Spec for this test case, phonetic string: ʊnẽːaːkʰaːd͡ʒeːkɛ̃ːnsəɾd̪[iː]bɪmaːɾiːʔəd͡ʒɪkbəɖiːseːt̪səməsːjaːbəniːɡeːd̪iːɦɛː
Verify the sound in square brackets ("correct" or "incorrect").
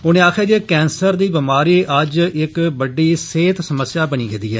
correct